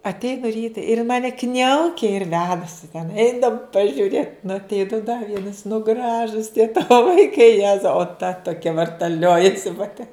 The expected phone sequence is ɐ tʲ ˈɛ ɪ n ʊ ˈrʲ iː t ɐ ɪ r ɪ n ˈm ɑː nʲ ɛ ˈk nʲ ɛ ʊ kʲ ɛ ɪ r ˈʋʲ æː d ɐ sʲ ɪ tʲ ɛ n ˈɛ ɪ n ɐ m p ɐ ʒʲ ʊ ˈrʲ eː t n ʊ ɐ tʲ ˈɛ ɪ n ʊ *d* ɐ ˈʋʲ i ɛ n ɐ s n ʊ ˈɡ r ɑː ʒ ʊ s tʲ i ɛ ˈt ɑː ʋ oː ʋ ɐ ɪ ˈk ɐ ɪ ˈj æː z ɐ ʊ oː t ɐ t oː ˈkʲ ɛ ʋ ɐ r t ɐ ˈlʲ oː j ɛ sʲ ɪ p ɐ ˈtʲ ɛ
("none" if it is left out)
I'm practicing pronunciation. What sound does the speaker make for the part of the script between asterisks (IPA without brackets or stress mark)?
d